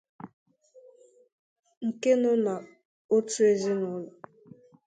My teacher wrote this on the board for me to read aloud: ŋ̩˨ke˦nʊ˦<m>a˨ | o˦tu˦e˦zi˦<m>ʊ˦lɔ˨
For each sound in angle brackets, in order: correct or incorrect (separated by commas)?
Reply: incorrect, incorrect